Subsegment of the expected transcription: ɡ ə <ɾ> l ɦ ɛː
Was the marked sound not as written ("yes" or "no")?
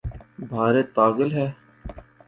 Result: yes